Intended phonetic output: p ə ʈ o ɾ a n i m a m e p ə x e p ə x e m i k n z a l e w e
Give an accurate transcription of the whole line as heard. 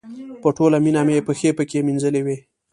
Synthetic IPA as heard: p ə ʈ o l a m i n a m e p ə x e p ə k e m i n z ə l e w e